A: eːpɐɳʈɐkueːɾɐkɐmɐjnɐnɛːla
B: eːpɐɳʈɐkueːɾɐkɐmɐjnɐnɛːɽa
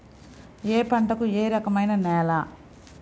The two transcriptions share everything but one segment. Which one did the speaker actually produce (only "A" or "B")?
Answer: A